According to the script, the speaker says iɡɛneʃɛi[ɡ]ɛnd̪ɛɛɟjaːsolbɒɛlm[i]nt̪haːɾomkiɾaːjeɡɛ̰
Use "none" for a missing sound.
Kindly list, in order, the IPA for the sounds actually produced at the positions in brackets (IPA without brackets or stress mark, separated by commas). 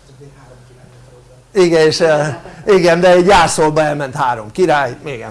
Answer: ɡ, ɛ